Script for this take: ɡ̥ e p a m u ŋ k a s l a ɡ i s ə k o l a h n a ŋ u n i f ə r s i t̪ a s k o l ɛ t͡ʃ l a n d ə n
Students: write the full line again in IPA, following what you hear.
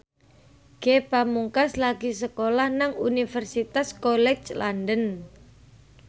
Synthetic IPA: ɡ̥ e p a m u ŋ k a s l a ɡ i s ə k o l a h n a ŋ u n i f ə r s i t̪ a s k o l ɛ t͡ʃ l a n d ə n